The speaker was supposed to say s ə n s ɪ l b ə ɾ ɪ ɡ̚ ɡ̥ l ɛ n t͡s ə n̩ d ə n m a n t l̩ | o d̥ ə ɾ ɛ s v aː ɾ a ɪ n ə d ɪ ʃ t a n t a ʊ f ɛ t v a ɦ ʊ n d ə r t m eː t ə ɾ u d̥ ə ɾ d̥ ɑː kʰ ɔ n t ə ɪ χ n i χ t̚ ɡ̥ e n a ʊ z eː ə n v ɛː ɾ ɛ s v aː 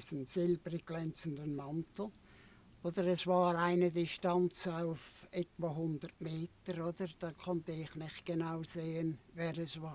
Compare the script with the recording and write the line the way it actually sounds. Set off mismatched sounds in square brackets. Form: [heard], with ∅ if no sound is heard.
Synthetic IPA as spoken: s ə n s ɪ l b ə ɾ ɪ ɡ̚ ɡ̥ l ɛ n t͡s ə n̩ d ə n m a n t l̩ | o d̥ ə ɾ ɛ s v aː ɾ a ɪ n ə d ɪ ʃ t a n [t͡s] a ʊ f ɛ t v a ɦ ʊ n d ə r t m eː t ə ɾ [o] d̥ ə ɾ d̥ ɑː kʰ ɔ n t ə ɪ χ n [ɪ] χ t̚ ɡ̥ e n a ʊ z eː ə n v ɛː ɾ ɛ s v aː